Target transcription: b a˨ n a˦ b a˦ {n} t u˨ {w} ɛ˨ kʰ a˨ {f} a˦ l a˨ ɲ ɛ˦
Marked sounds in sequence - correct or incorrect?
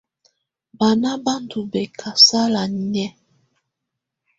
correct, incorrect, incorrect

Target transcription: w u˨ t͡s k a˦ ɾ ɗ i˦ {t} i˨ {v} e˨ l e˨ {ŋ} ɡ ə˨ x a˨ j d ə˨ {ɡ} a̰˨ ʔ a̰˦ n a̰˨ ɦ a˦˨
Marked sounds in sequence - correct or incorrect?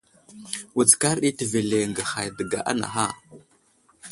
correct, correct, correct, correct

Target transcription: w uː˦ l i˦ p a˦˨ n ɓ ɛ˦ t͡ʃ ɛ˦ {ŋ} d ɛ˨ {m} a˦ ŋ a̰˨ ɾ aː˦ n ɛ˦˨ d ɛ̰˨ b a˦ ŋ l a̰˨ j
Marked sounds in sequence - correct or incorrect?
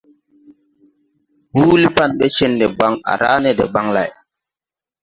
incorrect, incorrect

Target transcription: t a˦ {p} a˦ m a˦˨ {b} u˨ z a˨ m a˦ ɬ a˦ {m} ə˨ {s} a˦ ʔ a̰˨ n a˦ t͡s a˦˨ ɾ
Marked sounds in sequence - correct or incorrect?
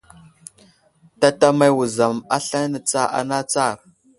incorrect, incorrect, incorrect, incorrect

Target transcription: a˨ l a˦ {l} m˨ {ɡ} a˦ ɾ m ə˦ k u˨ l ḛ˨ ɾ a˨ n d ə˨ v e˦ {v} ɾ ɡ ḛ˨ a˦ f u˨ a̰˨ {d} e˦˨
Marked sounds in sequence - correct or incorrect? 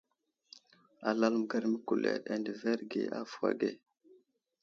correct, correct, incorrect, incorrect

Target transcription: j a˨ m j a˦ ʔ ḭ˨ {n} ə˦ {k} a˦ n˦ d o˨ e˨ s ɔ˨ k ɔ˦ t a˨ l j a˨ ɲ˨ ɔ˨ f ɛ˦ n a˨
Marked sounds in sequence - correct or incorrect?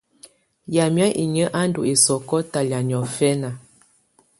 incorrect, incorrect

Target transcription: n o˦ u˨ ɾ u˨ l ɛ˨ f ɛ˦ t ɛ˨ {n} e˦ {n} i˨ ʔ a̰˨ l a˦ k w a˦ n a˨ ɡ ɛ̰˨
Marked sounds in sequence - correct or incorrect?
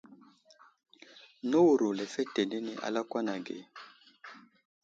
correct, correct

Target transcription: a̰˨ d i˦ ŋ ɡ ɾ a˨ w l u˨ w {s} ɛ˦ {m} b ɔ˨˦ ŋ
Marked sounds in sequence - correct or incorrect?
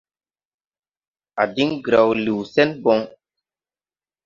correct, incorrect

